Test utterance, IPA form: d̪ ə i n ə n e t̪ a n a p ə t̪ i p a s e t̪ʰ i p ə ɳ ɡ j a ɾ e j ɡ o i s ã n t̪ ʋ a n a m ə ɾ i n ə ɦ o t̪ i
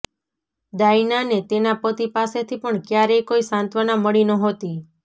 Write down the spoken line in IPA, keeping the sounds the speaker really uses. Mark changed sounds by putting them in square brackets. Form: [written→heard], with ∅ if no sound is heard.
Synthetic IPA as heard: d̪ [ə→a] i n [ə→a] n e t̪ [a→e] n a p ə t̪ i p a s e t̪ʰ i p ə ɳ [ɡ→k] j a ɾ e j [ɡ→k] o i s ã n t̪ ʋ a n a m ə [ɾ→ɭ] i n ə ɦ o t̪ i